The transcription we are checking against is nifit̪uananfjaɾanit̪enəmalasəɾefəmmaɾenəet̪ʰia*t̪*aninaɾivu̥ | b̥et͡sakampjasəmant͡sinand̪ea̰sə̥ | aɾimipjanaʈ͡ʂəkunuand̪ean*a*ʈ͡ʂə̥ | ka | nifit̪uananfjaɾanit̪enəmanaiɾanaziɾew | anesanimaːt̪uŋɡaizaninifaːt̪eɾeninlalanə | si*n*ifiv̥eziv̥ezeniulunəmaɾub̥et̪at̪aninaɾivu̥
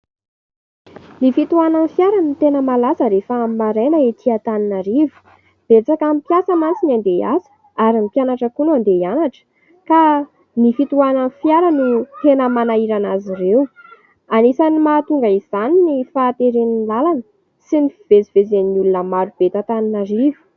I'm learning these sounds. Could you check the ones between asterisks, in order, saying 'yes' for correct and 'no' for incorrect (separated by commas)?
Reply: yes, yes, yes